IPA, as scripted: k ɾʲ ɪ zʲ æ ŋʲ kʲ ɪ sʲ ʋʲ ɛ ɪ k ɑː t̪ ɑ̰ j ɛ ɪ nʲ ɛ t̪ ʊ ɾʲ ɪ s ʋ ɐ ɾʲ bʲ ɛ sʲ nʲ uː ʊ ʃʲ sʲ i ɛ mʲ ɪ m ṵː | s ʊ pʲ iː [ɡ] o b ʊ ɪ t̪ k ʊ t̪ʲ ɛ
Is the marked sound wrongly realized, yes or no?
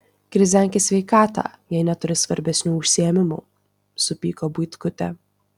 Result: yes